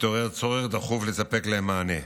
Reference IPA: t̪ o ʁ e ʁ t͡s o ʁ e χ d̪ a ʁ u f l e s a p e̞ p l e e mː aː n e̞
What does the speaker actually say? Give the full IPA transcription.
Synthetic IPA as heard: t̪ o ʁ e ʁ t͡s o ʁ e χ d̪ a χ u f l e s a p e̞ k l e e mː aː n e̞